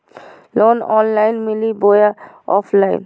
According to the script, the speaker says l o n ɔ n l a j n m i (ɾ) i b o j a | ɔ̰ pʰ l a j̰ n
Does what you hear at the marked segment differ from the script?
yes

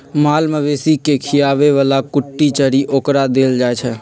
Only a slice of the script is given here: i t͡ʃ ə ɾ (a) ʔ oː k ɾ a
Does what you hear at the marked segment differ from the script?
yes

